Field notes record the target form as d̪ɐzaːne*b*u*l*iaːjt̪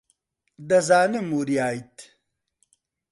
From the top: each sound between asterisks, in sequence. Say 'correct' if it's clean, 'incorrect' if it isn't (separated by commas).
incorrect, incorrect